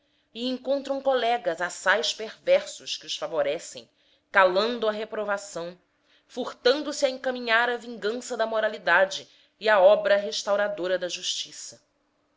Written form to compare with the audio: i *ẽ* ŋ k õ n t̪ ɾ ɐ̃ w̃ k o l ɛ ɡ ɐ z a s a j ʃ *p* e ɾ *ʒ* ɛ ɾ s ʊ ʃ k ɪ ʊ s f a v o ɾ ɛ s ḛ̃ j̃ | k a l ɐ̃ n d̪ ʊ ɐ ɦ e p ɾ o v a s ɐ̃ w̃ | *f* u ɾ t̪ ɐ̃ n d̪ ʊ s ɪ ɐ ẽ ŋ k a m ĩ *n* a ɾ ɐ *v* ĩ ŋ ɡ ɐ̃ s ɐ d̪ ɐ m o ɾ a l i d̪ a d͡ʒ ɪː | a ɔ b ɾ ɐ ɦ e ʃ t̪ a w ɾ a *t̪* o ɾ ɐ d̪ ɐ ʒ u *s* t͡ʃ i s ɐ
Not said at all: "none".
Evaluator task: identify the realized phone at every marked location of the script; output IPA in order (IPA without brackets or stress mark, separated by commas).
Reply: ẽ, p, v, f, ɲ, v, d̪, ʃ